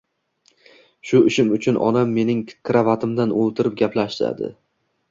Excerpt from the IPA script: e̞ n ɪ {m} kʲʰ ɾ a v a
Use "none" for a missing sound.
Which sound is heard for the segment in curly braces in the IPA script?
ŋ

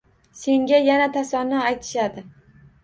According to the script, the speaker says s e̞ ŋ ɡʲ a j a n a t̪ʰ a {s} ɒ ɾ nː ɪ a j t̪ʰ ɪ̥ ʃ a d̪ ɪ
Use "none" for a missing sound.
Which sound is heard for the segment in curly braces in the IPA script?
s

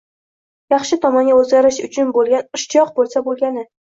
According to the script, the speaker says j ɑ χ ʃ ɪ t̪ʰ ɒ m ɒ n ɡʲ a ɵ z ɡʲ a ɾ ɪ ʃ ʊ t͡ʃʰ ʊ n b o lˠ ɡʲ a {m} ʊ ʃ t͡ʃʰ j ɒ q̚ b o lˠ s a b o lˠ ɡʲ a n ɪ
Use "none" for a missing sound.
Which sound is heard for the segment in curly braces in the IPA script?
n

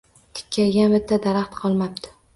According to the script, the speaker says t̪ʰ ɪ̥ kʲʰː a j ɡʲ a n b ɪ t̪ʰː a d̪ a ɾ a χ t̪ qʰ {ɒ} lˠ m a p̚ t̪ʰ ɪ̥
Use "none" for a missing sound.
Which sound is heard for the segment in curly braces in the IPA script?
ɒ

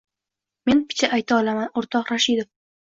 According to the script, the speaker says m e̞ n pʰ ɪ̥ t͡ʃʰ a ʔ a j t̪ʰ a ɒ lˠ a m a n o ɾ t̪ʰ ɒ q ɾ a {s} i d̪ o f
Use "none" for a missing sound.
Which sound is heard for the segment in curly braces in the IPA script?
ʃ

